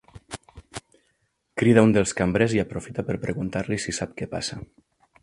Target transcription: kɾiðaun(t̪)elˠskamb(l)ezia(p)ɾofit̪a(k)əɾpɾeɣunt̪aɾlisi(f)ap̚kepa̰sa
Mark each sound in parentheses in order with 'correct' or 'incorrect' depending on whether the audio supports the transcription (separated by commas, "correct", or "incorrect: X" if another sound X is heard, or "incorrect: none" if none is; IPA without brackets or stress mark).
incorrect: d̪, incorrect: ɾ, correct, incorrect: p, incorrect: s